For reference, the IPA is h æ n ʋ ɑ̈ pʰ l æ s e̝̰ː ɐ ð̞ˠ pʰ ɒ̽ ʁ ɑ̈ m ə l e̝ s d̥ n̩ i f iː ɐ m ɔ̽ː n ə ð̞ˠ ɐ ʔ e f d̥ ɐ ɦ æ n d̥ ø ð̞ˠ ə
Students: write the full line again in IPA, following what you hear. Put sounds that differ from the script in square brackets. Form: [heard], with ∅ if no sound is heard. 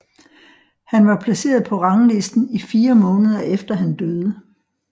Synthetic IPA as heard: h æ n ʋ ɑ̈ pʰ l æ s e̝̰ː ɐ ð̞ˠ pʰ ɒ̽ ʁ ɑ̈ [ŋ] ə l e̝ s d̥ n̩ i f iː ɐ m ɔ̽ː n ə ð̞ˠ ɐ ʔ e f d̥ ɐ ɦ æ n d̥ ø ð̞ˠ ə